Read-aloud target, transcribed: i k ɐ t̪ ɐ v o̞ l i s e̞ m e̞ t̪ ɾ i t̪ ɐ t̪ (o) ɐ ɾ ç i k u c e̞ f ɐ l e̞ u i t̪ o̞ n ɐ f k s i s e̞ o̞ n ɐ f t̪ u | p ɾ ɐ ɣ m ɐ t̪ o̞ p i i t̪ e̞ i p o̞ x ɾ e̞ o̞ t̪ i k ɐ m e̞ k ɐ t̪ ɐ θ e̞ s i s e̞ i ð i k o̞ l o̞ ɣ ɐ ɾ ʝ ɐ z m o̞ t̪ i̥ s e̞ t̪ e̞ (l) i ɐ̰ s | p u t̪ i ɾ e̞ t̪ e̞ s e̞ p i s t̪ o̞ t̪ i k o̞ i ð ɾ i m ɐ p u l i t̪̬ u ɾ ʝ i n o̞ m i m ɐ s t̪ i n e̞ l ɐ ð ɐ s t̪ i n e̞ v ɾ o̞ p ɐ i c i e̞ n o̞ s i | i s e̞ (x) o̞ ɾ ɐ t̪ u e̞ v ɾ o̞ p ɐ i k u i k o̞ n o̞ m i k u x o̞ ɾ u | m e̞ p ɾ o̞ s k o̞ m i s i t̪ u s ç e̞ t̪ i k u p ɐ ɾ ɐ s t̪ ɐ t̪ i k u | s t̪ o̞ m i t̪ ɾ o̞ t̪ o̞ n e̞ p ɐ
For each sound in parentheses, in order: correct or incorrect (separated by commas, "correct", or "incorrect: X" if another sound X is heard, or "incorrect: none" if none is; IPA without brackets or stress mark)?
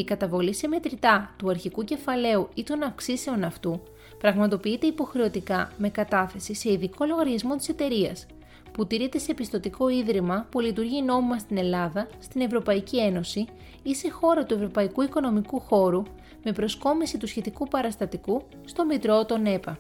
incorrect: u, incorrect: ɾ, correct